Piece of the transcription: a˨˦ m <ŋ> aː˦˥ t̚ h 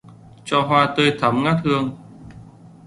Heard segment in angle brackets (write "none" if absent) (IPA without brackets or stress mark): ŋ